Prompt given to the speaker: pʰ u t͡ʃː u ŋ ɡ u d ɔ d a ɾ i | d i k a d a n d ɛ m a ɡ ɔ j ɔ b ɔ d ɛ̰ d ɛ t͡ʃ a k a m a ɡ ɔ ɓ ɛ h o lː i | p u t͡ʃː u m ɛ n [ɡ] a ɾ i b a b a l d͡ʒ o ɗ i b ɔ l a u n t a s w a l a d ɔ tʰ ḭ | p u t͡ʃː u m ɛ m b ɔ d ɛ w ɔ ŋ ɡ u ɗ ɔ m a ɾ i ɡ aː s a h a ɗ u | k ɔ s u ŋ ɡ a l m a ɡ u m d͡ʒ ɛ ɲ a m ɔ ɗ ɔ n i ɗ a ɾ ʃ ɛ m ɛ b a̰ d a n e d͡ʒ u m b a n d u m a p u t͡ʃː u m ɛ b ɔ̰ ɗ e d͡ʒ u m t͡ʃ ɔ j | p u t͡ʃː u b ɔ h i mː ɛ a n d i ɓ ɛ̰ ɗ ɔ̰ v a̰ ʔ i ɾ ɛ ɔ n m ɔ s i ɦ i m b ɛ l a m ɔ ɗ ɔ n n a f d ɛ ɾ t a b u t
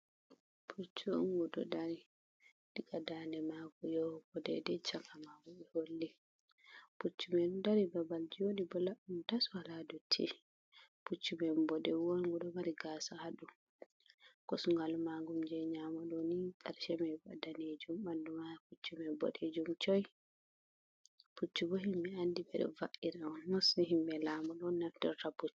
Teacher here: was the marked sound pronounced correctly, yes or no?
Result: no